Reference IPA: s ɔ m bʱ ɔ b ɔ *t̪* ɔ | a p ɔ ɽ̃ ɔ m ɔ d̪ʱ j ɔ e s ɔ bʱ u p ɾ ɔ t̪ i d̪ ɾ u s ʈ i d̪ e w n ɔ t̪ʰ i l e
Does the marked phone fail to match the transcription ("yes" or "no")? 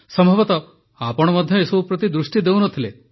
no